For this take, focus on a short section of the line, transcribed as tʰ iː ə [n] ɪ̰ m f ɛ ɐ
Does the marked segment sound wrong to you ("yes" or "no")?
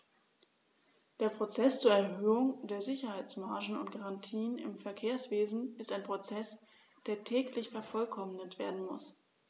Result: no